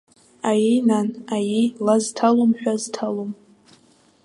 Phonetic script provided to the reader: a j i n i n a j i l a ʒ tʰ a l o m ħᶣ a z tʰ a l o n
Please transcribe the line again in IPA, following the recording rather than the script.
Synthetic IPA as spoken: a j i n a n a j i l a z tʰ a l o m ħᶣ a z tʰ a l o m

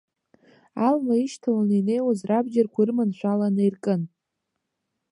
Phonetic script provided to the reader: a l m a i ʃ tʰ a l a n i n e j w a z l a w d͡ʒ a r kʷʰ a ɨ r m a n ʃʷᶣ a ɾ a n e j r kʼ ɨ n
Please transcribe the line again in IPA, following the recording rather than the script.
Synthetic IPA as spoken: a l m a i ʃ tʰ a l a n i n e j w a z r a b d͡ʒ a r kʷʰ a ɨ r m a n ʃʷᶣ a l a n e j r kʼ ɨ n

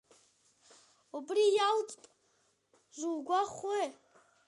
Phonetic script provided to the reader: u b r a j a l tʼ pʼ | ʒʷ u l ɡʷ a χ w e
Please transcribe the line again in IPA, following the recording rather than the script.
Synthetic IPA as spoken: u b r i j a l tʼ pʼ | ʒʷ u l ɡʷ a χ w e

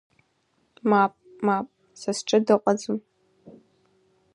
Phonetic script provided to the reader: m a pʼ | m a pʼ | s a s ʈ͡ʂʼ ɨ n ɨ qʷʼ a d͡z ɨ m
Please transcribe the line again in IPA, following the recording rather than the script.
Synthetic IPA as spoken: m a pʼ | m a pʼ | s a s ʈ͡ʂʼ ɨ d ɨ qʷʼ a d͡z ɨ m

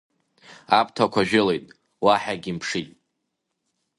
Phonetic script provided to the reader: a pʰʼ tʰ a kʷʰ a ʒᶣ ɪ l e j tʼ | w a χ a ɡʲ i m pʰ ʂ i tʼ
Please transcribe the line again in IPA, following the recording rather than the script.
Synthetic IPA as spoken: a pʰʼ tʰ a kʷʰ a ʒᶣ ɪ l e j tʼ | w a ħ a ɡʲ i m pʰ ʂ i tʼ

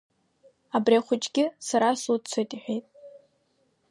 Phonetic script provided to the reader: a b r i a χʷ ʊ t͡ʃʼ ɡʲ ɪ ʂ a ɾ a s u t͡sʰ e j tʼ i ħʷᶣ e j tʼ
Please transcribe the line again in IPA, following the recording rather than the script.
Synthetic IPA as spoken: a b r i a χʷ ʊ t͡ʃʼ ɡʲ ɪ s a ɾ a s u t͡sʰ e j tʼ i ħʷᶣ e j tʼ

